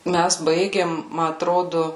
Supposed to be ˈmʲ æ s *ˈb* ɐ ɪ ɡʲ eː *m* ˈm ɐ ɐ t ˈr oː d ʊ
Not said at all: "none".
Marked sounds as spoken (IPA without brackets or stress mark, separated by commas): b, m